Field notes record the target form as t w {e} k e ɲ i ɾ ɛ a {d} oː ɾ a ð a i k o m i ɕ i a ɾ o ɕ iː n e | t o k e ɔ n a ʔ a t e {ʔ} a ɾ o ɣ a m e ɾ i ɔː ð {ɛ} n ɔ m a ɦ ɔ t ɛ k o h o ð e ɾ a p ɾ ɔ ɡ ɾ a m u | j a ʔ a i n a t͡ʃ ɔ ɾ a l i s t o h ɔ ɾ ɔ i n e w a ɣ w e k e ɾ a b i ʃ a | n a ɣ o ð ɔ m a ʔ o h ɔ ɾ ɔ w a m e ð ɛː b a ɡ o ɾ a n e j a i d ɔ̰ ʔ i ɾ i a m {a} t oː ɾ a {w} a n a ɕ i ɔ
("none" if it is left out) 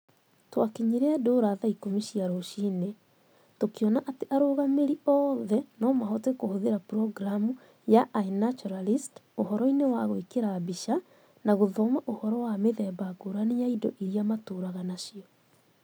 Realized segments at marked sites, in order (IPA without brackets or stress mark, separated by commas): a, d, ʔ, ɛ, a, ɣ